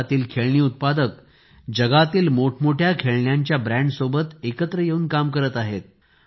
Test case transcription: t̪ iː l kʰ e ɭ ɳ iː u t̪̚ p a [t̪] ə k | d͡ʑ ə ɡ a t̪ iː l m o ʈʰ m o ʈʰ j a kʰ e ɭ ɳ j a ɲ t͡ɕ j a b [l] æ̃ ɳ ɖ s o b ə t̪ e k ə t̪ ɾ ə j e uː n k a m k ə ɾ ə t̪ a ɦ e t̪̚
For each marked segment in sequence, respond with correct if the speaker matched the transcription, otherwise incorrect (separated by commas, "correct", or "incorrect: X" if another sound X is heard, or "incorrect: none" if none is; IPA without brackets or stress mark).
incorrect: d̪, incorrect: ɾ